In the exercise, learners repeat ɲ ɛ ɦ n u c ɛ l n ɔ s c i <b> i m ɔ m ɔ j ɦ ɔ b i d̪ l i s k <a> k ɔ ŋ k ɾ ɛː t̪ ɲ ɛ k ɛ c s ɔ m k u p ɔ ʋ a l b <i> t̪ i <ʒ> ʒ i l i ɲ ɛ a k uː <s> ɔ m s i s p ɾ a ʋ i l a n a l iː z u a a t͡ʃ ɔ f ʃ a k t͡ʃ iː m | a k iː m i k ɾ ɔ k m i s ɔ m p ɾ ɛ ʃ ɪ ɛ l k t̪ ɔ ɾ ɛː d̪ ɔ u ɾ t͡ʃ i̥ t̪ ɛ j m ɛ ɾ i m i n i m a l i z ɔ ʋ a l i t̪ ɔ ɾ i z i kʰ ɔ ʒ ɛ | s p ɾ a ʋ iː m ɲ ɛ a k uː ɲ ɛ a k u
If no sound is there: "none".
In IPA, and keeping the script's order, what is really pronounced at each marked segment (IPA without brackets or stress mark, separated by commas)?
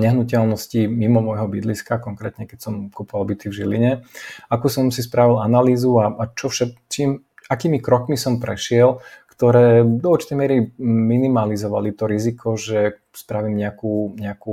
m, a, i, v, s